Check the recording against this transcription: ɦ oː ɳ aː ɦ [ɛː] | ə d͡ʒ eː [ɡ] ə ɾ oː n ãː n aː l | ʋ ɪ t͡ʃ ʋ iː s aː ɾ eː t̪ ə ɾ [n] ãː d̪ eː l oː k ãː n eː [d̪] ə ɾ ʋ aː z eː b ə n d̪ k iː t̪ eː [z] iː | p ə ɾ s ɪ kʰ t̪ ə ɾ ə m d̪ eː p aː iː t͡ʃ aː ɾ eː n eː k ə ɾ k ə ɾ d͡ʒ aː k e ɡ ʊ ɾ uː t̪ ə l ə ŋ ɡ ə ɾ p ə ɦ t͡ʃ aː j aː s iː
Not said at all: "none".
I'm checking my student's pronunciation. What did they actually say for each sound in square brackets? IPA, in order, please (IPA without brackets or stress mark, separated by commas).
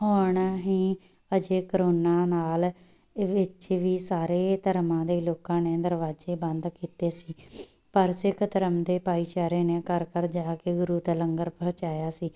iː, k, m, d̪, s